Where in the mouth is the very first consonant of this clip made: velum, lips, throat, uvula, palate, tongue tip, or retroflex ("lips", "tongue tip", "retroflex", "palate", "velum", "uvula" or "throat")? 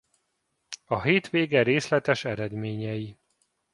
throat